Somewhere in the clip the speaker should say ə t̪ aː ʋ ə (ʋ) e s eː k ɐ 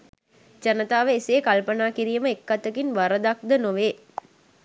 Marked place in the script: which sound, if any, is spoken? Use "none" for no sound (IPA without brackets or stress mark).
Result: none